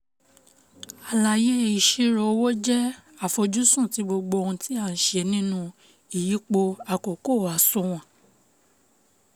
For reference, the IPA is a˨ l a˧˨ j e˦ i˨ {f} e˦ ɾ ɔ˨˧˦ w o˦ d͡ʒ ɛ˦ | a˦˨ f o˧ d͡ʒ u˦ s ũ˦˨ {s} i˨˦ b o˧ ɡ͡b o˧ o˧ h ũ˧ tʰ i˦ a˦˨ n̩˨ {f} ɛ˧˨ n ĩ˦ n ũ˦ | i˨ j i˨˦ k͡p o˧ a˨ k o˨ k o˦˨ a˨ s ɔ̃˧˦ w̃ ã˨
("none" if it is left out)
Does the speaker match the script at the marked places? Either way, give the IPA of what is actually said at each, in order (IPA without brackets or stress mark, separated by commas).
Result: ʃ, t, ʃ